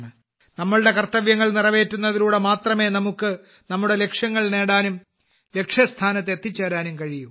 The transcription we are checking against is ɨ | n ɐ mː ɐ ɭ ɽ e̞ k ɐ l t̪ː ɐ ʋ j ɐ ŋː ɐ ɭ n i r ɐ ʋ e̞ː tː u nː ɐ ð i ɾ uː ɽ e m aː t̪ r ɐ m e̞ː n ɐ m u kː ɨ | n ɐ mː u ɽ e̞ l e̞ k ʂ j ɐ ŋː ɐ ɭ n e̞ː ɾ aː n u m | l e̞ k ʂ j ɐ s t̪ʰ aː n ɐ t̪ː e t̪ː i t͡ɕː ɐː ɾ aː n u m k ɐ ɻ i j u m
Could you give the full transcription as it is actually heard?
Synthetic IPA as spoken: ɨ | n ɐ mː ɐ ɭ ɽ e̞ k ɐ r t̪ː ɐ ʋ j ɐ ŋː ɐ ɭ n i r ɐ ʋ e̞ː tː u nː ɐ ð i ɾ uː ɽ e m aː t̪ r ɐ m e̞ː n ɐ m u kː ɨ | n ɐ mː u ɽ e̞ l e̞ k ʂ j ɐ ŋː ɐ ɭ n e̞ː ɽ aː n u m | l e̞ k ʂ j ɐ s t̪ʰ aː n ɐ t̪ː e t̪ː i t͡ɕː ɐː ɾ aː n u m k ɐ ɻ i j u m